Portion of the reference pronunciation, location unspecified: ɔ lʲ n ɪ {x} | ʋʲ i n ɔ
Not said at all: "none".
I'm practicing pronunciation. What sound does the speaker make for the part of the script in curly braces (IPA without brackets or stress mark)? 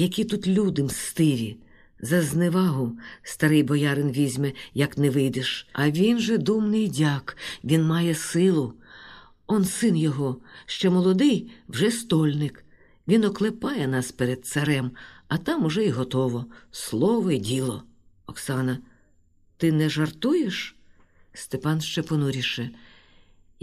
k